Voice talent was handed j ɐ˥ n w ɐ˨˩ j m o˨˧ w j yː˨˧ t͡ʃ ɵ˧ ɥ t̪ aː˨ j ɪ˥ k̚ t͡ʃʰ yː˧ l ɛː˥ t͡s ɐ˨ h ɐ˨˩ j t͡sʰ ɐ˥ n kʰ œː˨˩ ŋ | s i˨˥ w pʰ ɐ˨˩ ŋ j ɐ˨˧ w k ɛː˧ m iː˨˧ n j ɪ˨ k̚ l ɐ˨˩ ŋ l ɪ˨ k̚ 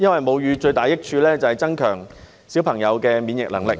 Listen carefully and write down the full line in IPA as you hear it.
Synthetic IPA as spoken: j ɐ˥ n w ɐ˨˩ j m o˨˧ w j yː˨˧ t͡ʃ ɵ˧ ɥ t̪ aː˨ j ɪ˥ k̚ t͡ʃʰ yː˧ l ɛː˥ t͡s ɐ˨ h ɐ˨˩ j t͡s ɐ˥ n kʰ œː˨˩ ŋ | s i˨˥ w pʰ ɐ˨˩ ŋ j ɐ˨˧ w k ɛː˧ m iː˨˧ n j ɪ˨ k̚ l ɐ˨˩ ŋ l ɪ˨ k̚